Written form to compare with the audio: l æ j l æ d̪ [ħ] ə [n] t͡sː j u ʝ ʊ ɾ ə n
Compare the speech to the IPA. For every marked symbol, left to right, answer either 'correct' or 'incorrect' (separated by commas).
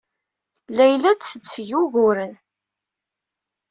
incorrect, incorrect